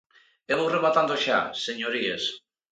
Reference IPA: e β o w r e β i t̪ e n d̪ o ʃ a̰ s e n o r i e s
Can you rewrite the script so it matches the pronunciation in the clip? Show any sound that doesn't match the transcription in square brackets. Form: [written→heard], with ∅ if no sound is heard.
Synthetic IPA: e β o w r e β [i→a] t̪ [e→a] n d̪ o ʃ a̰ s e [n→ɲ] o [r→ɾ] i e s